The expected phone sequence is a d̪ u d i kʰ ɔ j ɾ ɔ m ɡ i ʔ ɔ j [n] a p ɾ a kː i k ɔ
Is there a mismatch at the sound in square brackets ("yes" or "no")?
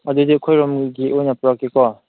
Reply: no